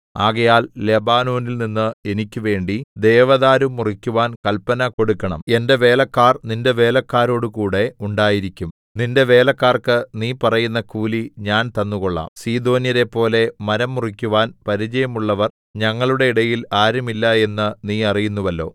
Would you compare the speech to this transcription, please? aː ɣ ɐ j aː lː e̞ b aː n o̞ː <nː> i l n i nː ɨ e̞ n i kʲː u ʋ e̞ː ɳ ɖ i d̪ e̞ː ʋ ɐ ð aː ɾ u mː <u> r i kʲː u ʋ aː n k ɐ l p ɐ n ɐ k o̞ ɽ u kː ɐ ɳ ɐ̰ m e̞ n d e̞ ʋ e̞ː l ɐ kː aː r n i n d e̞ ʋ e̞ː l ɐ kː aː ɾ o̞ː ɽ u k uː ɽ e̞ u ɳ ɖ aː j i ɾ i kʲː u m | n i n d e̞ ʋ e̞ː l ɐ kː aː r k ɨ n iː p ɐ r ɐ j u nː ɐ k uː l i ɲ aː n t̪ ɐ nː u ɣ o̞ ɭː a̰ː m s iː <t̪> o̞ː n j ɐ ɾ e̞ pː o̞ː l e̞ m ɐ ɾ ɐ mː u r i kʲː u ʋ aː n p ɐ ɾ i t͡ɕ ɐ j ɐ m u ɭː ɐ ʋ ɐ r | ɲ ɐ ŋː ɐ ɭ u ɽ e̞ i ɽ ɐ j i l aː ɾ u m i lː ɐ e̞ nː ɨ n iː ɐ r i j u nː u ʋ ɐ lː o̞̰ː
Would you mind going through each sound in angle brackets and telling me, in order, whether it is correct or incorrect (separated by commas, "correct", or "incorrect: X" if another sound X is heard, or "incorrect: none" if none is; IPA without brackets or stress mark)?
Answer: incorrect: n, correct, incorrect: d̪